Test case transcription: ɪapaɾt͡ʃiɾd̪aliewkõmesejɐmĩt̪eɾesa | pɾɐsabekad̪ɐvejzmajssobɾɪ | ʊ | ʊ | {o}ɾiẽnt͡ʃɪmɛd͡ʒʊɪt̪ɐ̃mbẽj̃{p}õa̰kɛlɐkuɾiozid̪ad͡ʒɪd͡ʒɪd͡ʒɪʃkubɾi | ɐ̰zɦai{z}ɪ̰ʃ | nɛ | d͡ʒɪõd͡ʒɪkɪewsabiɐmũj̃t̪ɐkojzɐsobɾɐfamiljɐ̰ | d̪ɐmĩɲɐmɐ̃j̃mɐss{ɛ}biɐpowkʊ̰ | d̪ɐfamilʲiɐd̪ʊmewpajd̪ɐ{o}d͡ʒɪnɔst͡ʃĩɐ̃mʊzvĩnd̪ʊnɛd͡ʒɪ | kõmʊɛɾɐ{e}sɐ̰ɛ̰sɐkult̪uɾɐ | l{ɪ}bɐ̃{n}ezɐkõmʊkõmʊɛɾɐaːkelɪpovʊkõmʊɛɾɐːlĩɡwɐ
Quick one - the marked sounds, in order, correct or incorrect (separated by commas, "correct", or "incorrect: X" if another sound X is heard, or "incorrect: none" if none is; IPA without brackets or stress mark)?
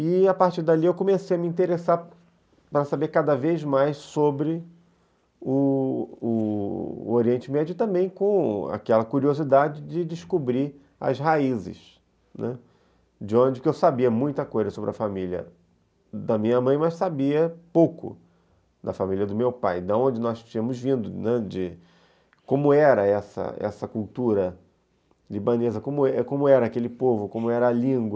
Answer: correct, incorrect: k, correct, incorrect: a, incorrect: õ, incorrect: ɛ, incorrect: i, correct